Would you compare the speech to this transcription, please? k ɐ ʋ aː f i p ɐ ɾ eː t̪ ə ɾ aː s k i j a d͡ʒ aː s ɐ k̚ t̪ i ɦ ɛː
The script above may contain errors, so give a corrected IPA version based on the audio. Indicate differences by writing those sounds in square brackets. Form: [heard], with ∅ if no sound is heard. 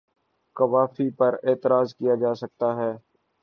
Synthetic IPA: k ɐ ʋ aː f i p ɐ ɾ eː t̪ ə ɾ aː [z] k i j a d͡ʒ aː s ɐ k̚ t̪ [a] ɦ ɛː